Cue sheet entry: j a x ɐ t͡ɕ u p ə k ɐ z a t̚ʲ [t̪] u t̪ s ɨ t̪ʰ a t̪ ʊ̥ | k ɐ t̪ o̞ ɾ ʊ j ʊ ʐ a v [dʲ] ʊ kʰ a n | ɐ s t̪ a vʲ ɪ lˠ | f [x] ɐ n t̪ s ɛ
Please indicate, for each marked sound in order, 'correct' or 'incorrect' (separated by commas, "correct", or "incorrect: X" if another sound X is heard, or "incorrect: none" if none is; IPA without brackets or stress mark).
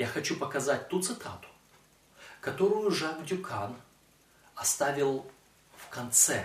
correct, correct, incorrect: k